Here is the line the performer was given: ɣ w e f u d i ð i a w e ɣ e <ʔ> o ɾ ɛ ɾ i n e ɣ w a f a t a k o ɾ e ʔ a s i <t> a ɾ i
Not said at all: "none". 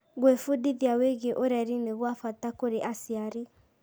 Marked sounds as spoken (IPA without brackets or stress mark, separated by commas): ʔ, none